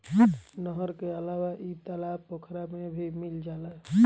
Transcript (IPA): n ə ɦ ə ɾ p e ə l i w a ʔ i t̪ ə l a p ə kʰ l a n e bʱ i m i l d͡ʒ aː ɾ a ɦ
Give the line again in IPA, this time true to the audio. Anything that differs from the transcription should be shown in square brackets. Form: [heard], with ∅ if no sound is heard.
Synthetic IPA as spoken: n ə ɦ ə ɾ [k] e ə l [a] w a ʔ i t̪ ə l a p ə kʰ [ɾ] a [m] e bʱ i m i l d͡ʒ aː [l] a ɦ